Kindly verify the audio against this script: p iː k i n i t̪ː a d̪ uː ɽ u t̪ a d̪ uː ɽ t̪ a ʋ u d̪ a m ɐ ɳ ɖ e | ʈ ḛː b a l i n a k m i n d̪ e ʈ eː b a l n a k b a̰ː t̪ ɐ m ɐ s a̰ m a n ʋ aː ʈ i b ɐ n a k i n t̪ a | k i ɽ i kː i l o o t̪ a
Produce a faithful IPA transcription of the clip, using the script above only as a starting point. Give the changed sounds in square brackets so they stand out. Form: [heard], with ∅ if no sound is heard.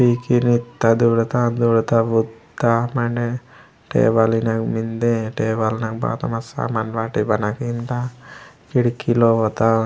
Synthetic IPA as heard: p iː k i n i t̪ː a d̪ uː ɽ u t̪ a d̪ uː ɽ t̪ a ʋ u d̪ a m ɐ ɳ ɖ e | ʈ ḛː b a l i n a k m i n d̪ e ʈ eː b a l n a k b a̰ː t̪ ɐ m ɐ s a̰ m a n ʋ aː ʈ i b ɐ n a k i n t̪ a | k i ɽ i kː i l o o t̪ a